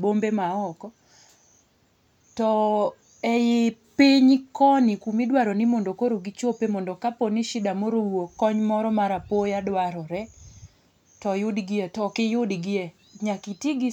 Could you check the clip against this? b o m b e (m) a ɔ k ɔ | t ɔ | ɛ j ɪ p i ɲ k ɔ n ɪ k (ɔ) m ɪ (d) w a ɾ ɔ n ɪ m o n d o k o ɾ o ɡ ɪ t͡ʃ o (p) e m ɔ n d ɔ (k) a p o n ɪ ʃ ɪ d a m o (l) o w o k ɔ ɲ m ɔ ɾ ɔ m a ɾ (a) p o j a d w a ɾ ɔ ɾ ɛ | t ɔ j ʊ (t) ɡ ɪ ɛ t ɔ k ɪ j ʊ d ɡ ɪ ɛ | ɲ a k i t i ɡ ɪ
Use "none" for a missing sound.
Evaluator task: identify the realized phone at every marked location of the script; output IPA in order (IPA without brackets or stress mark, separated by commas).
m, u, d, p, k, ɾ, a, d